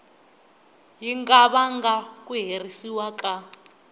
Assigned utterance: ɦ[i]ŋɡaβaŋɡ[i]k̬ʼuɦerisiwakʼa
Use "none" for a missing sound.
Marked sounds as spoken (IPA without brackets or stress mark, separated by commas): i, a